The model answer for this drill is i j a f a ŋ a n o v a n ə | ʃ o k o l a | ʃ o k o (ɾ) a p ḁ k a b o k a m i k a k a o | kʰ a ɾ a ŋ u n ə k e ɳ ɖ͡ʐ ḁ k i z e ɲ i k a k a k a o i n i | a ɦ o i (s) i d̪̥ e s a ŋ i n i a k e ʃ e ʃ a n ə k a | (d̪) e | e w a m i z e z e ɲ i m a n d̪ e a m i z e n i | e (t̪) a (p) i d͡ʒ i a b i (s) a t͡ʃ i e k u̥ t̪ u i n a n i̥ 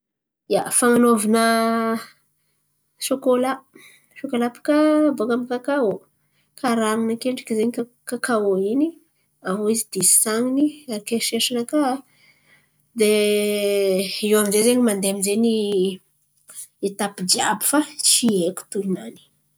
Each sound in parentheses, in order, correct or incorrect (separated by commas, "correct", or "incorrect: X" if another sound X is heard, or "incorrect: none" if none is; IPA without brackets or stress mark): incorrect: l, incorrect: z, correct, correct, correct, incorrect: f